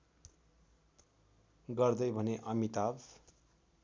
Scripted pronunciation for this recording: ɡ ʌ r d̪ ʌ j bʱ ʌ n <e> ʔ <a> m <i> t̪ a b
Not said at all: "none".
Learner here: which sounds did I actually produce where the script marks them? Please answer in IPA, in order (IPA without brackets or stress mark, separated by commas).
e, ʌ, i